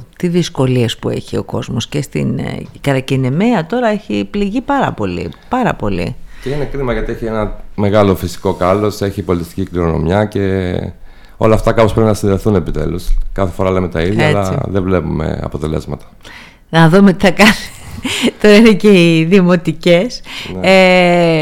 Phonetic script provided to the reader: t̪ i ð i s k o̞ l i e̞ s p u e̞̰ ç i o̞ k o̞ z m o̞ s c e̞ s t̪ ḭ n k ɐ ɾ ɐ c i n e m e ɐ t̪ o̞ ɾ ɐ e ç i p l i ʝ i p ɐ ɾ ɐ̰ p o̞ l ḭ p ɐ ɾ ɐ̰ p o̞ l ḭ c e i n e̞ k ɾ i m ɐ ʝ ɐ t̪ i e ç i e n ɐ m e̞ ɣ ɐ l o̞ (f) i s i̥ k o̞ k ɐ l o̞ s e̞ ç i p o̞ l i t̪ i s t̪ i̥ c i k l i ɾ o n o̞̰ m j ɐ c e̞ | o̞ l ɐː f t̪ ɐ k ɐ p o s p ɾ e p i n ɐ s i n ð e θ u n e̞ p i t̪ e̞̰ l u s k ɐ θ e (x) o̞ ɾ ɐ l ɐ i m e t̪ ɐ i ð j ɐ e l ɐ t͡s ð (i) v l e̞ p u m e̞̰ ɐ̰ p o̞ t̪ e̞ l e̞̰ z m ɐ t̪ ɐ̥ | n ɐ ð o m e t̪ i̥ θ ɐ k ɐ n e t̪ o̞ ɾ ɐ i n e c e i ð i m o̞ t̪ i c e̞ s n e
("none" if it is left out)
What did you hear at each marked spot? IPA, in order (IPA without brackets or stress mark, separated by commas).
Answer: f, f, e